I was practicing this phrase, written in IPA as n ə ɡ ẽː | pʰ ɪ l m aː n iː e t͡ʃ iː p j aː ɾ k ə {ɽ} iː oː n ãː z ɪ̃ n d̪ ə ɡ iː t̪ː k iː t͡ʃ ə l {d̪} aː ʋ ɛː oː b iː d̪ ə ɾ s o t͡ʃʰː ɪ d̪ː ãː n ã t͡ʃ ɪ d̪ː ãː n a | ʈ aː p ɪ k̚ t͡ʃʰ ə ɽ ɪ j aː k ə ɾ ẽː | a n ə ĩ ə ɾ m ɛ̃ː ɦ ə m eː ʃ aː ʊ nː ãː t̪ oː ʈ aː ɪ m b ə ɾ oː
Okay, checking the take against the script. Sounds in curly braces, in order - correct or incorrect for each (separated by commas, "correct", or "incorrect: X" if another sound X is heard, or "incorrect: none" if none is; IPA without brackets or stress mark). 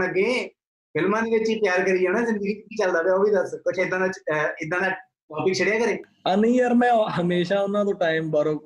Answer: incorrect: ɾ, correct